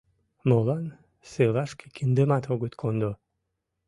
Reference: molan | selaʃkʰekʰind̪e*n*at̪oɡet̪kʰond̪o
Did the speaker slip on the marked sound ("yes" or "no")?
yes